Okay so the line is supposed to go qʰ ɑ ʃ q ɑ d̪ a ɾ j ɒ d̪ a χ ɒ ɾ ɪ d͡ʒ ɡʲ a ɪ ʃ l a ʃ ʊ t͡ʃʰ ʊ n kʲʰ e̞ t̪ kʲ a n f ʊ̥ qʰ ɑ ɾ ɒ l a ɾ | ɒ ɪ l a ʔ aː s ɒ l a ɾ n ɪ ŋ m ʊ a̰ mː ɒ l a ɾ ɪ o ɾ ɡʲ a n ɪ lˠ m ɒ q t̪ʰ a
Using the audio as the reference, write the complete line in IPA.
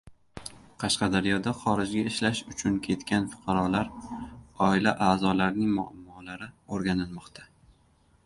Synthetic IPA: qʰ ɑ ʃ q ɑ d̪ a ɾ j ɒ d̪ a χ ɒ ɾ ɪ d͡ʒ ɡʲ a ɪ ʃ l a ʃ ʊ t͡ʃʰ ʊ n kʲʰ e̞ t̪ kʲ a n f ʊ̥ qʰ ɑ ɾ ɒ l a ɾ | ɒ ɪ l a ʔ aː z ɒ l a ɾ n ɪ ŋ m ʊ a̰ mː ɒ l a ɾ ɪ o ɾ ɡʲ a n ɪ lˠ m ɒ q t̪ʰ a

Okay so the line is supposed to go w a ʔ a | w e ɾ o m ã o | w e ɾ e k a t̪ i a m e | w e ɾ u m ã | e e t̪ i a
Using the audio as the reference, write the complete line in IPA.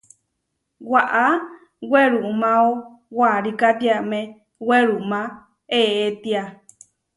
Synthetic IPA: w a ʔ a | w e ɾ u m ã o | w a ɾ i k a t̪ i a m e | w e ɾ u m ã | e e t̪ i a

